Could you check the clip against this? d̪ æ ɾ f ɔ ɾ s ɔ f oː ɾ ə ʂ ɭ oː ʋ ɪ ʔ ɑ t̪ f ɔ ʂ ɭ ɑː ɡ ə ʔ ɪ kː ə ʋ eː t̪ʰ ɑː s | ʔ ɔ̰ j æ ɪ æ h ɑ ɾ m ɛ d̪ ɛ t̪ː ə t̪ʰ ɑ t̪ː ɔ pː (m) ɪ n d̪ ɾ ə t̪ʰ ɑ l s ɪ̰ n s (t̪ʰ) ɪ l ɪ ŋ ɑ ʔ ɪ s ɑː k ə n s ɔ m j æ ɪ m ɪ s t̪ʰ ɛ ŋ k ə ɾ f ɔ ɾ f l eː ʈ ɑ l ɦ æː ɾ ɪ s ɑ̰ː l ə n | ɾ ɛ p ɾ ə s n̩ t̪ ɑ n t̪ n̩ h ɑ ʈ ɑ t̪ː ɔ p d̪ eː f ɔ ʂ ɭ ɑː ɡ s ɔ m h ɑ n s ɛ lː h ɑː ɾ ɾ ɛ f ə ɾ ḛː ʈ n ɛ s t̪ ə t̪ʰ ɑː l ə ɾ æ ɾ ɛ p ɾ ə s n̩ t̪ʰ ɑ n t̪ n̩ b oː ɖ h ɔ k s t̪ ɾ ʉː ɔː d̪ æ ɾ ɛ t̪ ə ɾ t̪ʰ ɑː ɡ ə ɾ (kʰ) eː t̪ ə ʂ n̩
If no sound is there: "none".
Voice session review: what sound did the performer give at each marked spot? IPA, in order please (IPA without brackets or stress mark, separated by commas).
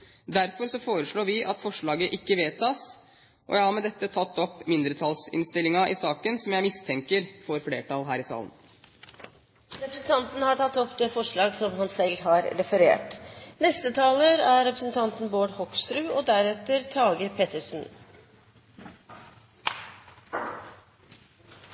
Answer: m, t̪, pʰ